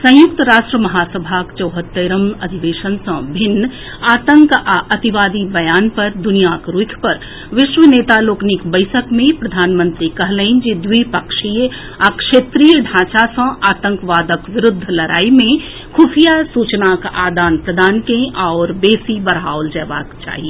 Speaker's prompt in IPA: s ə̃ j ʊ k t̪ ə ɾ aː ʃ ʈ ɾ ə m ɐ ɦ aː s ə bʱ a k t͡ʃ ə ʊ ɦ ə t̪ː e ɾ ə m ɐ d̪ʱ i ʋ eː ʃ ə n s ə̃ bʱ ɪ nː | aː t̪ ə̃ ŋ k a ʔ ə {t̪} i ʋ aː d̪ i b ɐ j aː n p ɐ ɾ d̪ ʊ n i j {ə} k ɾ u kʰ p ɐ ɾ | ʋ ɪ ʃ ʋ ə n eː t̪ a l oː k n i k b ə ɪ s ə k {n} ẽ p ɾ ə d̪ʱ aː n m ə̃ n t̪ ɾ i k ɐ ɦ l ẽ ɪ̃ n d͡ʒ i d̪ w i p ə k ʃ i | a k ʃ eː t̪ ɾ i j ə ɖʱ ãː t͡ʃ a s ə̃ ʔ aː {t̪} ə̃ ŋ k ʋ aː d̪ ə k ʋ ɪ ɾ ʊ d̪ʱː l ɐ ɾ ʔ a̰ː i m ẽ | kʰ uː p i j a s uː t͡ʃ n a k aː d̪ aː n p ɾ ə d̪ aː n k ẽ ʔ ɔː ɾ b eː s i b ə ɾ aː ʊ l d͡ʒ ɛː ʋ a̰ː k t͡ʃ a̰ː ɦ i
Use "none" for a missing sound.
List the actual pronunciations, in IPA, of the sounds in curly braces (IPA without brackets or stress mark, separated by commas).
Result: t̪, a, m, t̪